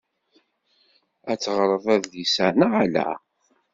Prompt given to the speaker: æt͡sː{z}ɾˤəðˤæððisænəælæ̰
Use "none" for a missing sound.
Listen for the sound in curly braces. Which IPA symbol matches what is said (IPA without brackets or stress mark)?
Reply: ʁ